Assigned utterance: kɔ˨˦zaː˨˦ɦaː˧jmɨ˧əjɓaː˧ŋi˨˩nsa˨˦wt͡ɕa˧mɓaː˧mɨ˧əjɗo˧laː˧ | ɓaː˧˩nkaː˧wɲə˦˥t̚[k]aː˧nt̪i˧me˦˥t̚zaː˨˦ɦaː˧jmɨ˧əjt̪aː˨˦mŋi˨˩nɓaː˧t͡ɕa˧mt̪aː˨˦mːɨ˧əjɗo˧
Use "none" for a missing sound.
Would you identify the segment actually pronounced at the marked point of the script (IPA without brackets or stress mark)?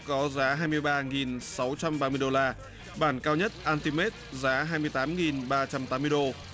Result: ʔ